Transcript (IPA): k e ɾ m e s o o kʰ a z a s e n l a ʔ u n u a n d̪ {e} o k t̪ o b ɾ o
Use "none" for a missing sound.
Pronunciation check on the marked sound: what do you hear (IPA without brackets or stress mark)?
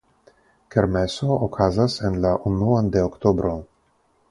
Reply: e